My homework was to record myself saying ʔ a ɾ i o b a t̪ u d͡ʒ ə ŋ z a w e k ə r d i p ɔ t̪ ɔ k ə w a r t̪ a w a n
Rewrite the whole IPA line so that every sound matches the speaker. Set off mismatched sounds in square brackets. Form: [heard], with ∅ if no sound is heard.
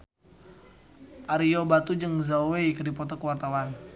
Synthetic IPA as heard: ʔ a ɾ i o b a t̪ u d͡ʒ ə ŋ z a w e k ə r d i p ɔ t̪ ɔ k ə w a r t̪ a w a n